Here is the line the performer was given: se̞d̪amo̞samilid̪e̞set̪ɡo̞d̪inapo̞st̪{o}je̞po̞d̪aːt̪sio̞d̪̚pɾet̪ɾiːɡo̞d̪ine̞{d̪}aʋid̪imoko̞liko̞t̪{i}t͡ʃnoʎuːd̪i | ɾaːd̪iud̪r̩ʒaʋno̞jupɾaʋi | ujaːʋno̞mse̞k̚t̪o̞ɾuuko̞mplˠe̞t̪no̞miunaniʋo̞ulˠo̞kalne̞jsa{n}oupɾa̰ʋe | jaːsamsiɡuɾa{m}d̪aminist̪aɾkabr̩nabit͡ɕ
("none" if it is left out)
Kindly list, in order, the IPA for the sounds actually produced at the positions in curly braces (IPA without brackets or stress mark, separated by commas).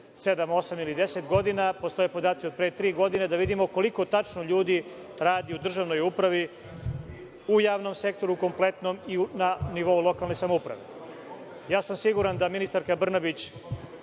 o, d̪, a, m, n